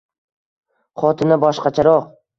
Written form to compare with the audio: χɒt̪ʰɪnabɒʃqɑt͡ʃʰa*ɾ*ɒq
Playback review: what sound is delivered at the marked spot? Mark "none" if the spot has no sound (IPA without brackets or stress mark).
ɾ